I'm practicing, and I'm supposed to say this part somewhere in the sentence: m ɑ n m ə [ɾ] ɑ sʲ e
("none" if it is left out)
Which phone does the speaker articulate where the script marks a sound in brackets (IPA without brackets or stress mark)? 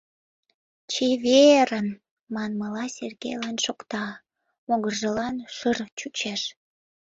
l